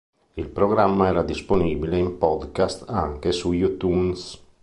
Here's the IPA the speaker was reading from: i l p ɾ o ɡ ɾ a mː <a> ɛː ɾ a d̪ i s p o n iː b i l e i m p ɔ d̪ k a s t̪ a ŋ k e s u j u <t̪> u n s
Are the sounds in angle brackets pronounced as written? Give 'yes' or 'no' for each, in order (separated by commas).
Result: yes, yes